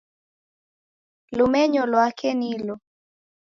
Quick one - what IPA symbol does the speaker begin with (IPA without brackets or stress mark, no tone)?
l